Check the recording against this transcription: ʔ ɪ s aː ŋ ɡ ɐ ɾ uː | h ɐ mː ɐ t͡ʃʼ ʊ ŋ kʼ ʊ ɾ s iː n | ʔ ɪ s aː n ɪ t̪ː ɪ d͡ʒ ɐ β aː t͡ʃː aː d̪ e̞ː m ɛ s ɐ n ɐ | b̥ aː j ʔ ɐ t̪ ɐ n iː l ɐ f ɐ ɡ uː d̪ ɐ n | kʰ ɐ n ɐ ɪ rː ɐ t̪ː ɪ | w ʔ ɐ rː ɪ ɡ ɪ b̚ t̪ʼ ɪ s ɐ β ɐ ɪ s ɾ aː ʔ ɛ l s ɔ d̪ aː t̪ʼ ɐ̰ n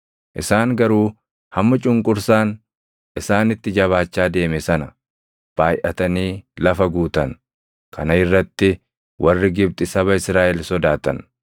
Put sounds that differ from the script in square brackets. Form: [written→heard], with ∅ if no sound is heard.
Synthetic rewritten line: ʔ ɪ s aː ŋ ɡ ɐ ɾ uː | h ɐ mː ɐ t͡ʃʼ ʊ ŋ kʼ ʊ ɾ s [iː→aː] n | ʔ ɪ s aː n ɪ t̪ː ɪ d͡ʒ ɐ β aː t͡ʃː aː d̪ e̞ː m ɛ s ɐ n ɐ | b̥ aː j ʔ ɐ t̪ ɐ n iː l ɐ f ɐ ɡ uː [d̪→t̪] ɐ n | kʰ ɐ n ɐ ɪ rː ɐ t̪ː ɪ | w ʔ ɐ rː ɪ ɡ ɪ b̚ t̪ʼ ɪ s ɐ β ɐ ɪ s ɾ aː ʔ ɛ l s ɔ d̪ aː [t̪ʼ→t̪] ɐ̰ n